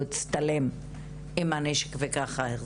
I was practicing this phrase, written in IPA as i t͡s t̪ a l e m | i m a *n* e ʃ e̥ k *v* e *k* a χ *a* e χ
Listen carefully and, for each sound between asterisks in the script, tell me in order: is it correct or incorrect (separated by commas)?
correct, correct, correct, correct